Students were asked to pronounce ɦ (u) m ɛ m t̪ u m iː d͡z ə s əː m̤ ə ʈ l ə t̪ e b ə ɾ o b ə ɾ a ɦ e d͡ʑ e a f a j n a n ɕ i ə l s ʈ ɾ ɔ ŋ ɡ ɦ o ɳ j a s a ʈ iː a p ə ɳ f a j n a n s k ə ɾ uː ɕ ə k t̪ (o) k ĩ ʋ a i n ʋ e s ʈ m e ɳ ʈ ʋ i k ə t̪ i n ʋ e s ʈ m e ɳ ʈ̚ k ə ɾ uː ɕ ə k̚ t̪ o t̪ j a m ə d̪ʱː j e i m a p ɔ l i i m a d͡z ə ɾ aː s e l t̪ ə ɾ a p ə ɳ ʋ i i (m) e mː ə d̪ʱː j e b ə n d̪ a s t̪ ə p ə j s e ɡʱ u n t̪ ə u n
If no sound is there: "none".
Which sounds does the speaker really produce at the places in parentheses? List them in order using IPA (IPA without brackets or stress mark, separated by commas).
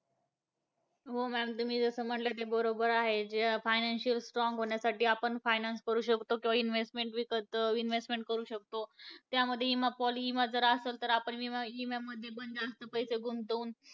o, o, m